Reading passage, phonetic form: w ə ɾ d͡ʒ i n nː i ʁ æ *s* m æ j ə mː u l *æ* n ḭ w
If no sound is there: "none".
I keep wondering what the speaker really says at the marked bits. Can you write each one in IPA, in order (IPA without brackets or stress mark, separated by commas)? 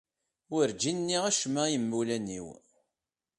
ʃ, æ